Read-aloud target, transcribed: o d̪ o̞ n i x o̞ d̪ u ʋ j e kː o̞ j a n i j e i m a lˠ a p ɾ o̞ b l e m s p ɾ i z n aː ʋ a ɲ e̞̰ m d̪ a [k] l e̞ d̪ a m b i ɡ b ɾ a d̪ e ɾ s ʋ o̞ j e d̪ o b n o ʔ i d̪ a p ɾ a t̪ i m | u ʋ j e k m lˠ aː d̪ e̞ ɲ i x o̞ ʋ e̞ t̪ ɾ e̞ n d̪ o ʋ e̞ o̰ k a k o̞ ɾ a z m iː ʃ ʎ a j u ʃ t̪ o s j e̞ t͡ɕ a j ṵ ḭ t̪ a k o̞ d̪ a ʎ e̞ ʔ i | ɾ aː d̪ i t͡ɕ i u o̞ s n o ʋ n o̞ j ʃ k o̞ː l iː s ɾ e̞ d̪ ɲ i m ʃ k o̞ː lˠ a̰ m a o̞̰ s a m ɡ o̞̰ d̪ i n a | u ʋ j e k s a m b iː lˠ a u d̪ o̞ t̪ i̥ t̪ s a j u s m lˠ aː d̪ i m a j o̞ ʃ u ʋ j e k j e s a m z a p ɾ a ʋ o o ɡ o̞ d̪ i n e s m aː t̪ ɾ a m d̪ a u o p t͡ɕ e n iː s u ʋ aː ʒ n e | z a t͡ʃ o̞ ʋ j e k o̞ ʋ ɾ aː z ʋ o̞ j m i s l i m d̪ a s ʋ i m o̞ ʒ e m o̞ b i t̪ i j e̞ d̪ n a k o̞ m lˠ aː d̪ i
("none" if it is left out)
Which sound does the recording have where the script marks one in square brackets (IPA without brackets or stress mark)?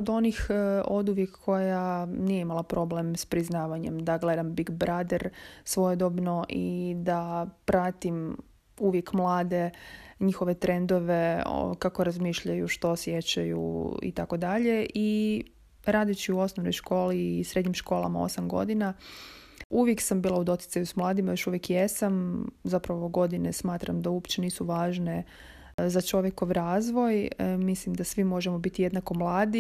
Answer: ɡ